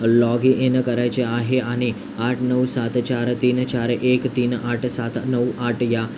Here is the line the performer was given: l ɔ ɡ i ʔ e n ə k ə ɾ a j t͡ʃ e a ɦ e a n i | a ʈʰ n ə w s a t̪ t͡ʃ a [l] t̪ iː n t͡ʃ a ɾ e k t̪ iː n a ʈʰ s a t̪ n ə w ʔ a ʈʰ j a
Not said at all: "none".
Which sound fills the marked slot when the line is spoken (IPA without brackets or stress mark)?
ɾ